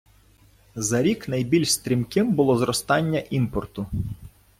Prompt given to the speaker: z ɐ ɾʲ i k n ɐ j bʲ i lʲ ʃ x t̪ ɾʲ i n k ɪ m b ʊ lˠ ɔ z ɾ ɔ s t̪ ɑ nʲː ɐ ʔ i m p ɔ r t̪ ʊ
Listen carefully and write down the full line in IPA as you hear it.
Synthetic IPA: z ɐ ɾʲ i k n ɐ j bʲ i lʲ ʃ s t̪ ɾʲ i m k ɪ m b ʊ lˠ ɔ z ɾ ɔ s t̪ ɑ nʲː ɐ ʔ i m p ɔ r t̪ ʊ